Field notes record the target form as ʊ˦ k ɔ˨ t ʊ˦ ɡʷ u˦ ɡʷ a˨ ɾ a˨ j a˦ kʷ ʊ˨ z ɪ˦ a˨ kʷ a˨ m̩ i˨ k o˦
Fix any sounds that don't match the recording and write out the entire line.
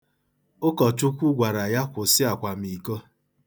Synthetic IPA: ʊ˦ k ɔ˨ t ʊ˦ kʷ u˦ ɡʷ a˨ ɾ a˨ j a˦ kʷ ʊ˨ s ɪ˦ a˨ kʷ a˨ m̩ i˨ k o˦